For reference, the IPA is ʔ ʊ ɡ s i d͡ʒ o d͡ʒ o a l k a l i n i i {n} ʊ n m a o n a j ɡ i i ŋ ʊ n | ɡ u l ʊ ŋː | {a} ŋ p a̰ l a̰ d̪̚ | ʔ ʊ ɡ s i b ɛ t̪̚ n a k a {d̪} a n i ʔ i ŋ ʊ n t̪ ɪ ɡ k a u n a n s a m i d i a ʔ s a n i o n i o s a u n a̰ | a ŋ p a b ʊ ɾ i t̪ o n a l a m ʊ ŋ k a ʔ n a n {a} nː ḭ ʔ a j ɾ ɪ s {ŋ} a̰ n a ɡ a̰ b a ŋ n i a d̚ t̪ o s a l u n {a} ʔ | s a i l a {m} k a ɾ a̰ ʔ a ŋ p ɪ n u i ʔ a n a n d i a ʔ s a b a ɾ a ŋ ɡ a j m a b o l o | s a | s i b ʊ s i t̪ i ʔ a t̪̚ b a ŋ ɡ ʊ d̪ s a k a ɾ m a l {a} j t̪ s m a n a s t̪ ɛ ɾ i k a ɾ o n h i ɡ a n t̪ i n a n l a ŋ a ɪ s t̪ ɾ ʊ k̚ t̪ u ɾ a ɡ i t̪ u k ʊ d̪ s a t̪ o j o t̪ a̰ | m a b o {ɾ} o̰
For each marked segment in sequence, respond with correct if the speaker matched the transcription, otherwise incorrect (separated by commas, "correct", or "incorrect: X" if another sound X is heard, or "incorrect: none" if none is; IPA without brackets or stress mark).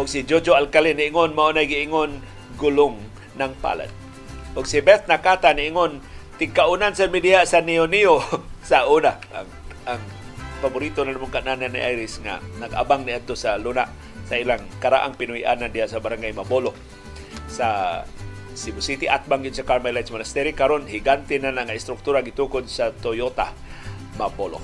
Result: incorrect: ŋ, correct, incorrect: t̪, correct, correct, correct, incorrect: ŋ, correct, incorrect: l